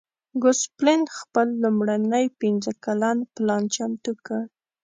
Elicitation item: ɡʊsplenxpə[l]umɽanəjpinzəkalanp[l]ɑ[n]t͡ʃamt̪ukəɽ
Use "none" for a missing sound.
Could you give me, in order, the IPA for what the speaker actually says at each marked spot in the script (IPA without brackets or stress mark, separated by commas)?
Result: lː, l, n